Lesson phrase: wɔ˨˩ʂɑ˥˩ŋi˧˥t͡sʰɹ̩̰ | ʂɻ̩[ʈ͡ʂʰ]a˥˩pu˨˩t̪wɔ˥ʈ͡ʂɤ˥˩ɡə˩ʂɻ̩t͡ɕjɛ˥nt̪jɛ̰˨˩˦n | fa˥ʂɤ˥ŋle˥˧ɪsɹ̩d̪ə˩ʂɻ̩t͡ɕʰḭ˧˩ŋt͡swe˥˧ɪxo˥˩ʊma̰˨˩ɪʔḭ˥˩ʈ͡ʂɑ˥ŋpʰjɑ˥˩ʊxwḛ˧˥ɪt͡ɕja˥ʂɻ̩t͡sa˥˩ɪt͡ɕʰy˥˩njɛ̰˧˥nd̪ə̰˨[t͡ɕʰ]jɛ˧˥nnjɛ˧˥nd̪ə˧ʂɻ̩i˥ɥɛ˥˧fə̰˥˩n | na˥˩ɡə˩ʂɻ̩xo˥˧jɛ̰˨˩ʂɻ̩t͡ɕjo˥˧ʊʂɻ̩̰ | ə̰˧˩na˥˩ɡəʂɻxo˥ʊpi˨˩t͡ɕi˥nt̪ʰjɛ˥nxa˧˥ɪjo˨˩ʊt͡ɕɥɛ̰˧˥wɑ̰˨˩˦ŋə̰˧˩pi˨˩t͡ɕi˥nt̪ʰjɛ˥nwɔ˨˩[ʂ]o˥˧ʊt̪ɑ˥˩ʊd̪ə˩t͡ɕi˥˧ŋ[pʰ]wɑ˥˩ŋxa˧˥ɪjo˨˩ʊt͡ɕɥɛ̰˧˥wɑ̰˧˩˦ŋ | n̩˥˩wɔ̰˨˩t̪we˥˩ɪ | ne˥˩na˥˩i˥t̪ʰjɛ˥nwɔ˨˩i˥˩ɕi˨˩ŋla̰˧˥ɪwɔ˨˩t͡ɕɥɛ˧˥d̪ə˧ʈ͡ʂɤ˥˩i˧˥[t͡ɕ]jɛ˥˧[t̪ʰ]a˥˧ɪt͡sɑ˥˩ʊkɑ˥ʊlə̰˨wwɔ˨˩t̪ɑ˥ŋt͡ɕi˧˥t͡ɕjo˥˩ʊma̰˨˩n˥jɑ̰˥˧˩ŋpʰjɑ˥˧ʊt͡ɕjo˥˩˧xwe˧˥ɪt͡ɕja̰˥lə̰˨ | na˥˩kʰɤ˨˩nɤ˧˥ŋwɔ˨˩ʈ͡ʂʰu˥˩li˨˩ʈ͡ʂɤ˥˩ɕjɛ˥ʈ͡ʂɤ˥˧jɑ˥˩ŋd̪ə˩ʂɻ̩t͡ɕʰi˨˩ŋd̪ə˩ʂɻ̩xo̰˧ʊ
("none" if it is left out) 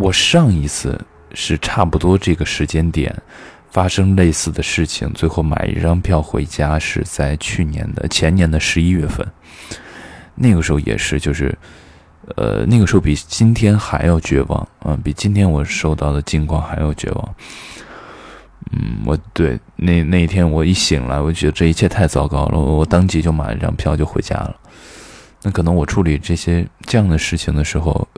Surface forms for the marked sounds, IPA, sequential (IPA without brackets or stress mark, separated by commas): ʈ͡ʂʰ, t͡ɕʰ, ʂ, kʰ, t͡ɕʰ, t̪ʰ